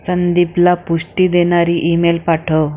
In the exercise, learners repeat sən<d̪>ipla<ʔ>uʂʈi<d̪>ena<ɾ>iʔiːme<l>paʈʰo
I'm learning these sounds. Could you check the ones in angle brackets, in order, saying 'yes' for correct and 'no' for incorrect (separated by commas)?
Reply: yes, no, yes, yes, yes